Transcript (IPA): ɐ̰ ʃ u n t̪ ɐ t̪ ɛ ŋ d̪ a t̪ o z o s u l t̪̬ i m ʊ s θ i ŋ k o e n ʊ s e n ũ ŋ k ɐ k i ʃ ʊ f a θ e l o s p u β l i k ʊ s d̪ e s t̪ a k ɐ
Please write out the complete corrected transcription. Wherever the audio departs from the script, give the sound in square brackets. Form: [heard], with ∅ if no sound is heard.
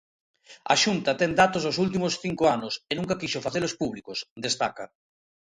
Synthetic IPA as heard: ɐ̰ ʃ u n t̪ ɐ t̪ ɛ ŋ d̪ a t̪ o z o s u l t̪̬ i m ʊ s θ i ŋ k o [a] n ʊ s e n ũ ŋ k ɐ k i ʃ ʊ f a θ e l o s p u β l i k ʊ s d̪ e s t̪ a k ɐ